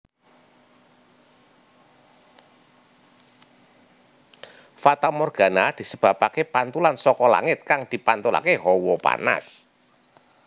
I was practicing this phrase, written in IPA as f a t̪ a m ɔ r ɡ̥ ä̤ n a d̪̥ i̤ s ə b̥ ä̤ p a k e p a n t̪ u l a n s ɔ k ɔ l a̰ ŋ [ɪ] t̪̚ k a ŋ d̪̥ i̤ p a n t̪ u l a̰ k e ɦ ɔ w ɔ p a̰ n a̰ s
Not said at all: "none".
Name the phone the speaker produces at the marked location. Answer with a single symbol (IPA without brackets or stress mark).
ɪ